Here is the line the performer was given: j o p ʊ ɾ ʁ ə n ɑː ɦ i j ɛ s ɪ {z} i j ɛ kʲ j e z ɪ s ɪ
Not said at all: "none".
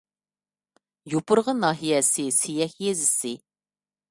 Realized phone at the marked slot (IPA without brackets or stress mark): s